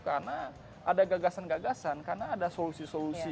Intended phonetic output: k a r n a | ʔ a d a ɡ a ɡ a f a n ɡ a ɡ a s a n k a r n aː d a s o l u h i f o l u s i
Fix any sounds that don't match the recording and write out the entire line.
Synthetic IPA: k a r n a | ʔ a d a ɡ a ɡ a s a n ɡ a ɡ a s a n k a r n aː d a s o l u s i s o l u s i